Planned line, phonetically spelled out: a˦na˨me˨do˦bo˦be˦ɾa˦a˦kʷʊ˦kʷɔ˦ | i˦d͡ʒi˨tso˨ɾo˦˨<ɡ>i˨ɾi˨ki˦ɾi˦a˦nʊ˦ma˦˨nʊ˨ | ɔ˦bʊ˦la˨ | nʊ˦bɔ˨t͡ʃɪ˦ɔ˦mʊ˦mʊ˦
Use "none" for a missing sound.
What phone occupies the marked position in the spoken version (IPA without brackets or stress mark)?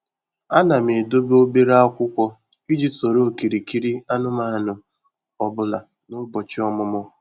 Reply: k